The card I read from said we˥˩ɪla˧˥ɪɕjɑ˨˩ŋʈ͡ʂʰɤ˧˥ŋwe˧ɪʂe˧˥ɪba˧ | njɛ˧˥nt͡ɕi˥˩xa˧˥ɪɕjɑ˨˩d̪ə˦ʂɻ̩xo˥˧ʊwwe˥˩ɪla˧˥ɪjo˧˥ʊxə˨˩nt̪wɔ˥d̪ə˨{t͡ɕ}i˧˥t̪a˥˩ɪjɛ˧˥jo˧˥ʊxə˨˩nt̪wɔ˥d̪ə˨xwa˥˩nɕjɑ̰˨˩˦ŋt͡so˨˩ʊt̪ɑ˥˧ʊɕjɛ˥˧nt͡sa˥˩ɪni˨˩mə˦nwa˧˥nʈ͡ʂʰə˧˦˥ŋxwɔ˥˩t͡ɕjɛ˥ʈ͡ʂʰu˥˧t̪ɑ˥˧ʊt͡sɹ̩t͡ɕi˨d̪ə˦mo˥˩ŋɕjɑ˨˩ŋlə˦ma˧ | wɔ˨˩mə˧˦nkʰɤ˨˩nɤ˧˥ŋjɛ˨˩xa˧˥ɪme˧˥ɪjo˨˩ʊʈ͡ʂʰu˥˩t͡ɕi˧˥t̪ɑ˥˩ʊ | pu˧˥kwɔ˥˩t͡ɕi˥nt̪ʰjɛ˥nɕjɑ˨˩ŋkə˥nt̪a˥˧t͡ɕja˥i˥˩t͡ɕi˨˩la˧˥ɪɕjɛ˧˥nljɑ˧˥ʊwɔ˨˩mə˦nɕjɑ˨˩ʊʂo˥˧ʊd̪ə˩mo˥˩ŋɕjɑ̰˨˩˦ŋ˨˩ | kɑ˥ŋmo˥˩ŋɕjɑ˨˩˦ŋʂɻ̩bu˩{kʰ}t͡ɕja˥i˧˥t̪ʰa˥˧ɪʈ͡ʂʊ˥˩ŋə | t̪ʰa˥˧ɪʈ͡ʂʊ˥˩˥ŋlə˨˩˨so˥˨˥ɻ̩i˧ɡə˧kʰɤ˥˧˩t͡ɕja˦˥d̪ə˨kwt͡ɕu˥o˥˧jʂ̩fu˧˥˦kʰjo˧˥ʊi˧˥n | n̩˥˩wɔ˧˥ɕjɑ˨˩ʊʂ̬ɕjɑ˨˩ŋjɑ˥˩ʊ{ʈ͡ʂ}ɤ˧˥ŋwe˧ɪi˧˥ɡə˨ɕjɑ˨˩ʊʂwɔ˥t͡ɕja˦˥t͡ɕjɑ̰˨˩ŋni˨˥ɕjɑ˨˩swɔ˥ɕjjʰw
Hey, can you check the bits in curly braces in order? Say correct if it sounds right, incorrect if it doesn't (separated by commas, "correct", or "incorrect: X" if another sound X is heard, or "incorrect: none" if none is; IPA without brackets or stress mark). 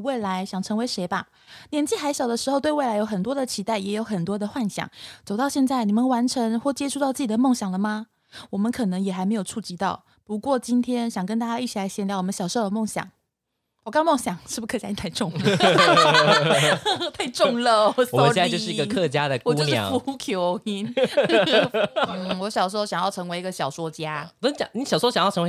incorrect: t͡ɕʰ, correct, incorrect: ʈ͡ʂʰ